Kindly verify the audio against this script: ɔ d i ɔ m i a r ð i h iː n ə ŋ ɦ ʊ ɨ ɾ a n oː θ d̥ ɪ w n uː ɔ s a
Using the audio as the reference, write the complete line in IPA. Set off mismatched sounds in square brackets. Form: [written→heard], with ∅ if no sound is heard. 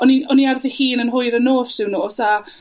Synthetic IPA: ɔ [d→n] i ɔ [m→n] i a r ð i h iː n ə [ŋ→n] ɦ ʊ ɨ ɾ [a→ə] n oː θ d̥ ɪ w n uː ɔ s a